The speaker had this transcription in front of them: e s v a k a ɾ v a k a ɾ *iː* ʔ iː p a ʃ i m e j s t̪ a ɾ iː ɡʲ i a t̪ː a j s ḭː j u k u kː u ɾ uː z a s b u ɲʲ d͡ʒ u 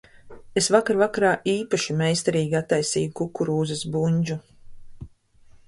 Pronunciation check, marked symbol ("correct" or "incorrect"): incorrect